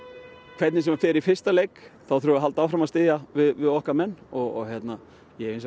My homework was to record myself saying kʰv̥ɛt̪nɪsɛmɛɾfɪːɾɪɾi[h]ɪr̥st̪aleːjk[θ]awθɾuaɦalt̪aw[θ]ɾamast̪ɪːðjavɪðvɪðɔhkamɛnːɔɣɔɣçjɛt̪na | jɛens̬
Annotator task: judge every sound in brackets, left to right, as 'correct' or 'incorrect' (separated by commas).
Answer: incorrect, correct, incorrect